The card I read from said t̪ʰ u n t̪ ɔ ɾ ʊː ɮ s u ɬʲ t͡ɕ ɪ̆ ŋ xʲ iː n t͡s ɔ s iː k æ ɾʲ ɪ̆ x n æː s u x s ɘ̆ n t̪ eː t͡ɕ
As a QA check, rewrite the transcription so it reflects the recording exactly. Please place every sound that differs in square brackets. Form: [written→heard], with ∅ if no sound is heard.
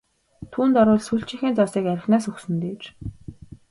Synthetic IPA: t̪ʰ [u→uː] n t̪ ɔ ɾ ʊː ɮ s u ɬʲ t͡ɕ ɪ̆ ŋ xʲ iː n t͡s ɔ s iː k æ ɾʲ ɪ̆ x n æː s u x s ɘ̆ n t̪ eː t͡ɕ